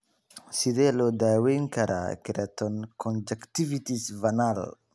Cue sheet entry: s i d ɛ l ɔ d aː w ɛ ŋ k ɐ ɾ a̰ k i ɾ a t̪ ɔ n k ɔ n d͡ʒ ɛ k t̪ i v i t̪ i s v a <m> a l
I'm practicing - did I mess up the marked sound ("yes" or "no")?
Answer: yes